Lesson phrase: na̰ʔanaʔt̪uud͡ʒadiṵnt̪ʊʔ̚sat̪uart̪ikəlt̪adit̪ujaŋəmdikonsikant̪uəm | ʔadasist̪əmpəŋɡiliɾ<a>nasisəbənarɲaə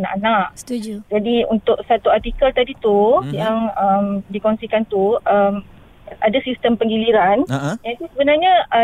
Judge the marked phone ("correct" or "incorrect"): correct